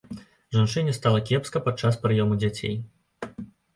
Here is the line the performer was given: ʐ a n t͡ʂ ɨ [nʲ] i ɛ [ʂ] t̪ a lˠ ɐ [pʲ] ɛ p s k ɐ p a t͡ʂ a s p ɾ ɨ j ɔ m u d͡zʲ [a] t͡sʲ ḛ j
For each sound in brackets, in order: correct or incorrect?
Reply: correct, incorrect, incorrect, correct

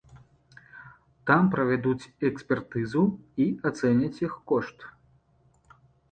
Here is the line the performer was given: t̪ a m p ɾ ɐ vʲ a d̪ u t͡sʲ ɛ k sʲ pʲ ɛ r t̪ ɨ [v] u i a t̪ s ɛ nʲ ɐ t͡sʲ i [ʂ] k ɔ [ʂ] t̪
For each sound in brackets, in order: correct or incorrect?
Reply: incorrect, incorrect, correct

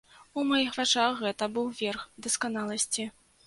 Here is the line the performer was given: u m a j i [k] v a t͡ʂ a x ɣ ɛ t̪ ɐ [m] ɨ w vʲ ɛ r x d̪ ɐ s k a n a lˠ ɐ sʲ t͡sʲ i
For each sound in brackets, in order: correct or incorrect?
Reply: incorrect, incorrect

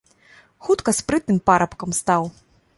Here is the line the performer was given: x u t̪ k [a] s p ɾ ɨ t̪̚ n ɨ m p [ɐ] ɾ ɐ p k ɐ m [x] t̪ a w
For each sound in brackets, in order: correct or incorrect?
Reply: incorrect, incorrect, incorrect

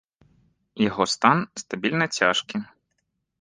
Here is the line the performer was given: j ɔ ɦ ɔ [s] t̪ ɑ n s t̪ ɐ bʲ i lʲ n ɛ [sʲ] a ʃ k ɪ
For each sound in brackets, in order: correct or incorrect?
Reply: correct, incorrect

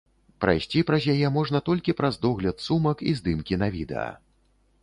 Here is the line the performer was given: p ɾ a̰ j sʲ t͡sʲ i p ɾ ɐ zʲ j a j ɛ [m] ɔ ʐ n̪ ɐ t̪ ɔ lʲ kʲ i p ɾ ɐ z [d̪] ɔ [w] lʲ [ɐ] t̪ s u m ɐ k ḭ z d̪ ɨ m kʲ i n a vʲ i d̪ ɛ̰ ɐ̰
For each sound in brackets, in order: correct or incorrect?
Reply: correct, correct, incorrect, correct

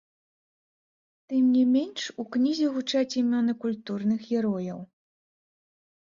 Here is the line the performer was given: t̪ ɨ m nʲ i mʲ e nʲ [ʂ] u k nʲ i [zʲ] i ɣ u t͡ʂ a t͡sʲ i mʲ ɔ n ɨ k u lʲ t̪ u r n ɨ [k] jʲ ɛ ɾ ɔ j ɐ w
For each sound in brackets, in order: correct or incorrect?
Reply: correct, correct, incorrect

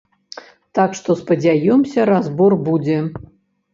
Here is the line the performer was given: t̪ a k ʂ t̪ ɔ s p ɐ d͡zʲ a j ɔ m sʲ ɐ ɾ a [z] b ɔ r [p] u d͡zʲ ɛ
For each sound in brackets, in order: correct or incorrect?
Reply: correct, incorrect

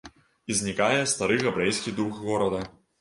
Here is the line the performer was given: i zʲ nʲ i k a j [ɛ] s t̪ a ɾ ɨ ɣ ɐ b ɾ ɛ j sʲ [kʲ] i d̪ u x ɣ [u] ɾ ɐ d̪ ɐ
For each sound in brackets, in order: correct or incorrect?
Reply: correct, correct, incorrect

